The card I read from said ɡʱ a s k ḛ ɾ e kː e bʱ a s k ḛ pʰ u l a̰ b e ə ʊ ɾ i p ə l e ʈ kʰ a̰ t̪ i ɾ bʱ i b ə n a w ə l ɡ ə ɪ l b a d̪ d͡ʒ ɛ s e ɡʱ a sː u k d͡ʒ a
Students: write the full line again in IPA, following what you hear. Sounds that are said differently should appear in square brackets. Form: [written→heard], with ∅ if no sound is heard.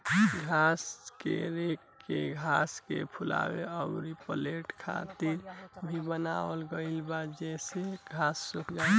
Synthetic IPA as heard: ɡʱ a s k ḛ ɾ e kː e [bʱ→ɡʱ] a s k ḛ pʰ u l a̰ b e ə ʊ ɾ i p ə l e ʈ kʰ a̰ t̪ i ɾ bʱ i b ə n a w ə l ɡ ə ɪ l b a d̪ d͡ʒ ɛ s e ɡʱ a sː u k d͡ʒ a